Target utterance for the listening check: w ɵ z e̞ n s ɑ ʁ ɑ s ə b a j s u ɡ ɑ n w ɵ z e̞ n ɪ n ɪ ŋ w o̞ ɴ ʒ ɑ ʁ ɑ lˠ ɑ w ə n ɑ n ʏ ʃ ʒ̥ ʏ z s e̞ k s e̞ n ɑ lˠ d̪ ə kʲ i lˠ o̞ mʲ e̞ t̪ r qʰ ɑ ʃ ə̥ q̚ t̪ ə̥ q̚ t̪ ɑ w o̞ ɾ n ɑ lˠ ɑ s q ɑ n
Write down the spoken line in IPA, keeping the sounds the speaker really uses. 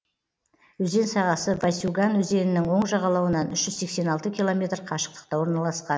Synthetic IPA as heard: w ɵ z e̞ n s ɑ ʁ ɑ s ə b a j s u ɡ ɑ n w ɵ z e̞ n ɪ n ɪ ŋ w o̞ ɴ ʒ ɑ ʁ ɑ lˠ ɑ w ə n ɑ n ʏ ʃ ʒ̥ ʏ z s e̞ k s e̞ n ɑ lˠ t̪ ə kʲ i lˠ o̞ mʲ e̞ t̪ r qʰ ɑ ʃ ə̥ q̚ t̪ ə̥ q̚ t̪ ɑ w o̞ ɾ n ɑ lˠ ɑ s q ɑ n